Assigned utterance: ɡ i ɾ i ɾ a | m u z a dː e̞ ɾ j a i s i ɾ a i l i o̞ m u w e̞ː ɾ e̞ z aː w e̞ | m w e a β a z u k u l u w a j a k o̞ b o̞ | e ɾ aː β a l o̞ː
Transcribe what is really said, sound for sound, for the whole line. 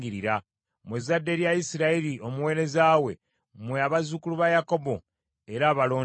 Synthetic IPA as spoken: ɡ i ɾ i ɾ a | m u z a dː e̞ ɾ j a i s i ɾ a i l i o̞ m u w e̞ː ɾ e̞ z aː w e̞ | m w e a β a z u k u l u β a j a k o̞ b o̞ | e ɾ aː β a l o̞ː